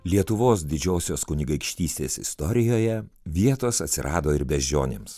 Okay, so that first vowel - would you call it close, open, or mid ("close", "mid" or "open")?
close